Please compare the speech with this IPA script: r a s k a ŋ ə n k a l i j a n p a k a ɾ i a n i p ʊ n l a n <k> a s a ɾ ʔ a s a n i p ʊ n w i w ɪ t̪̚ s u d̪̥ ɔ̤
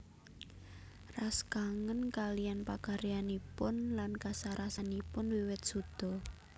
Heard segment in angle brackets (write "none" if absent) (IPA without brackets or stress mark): k